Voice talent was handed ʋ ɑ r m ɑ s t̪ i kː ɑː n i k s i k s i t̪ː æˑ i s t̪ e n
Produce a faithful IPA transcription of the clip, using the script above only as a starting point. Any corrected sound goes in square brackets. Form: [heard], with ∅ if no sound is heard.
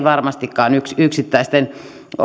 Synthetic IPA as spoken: ʋ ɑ r m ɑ s t̪ i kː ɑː n [y] k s [y] k s i t̪ː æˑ i s t̪ e n